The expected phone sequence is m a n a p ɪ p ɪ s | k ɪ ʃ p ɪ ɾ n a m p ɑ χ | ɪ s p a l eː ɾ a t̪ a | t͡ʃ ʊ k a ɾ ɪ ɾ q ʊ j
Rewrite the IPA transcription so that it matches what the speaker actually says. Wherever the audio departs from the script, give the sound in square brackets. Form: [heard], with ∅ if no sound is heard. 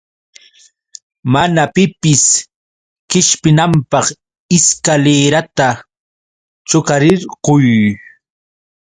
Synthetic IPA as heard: m a n a p ɪ p ɪ s | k ɪ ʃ p ɪ [∅] n a m p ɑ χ | ɪ s [k] a l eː ɾ a t̪ a | t͡ʃ ʊ k a ɾ ɪ ɾ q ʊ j